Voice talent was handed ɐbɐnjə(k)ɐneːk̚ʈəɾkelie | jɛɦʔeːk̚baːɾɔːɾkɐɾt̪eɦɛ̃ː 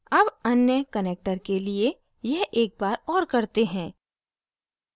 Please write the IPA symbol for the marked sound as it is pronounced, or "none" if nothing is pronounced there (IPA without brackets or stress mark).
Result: k